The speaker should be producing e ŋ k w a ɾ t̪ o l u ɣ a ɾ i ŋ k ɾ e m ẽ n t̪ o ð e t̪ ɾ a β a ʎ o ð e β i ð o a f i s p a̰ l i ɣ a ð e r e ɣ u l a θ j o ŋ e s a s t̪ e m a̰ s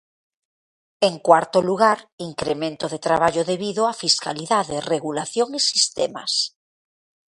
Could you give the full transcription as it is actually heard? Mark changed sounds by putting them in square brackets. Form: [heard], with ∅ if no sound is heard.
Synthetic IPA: e ŋ k w a ɾ t̪ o l u ɣ a ɾ i ŋ k ɾ e m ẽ n t̪ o ð e t̪ ɾ a β a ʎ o ð e β i ð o a f i s [k] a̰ l i [ð] a ð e r e ɣ u l a θ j o ŋ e s [i] s t̪ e m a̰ s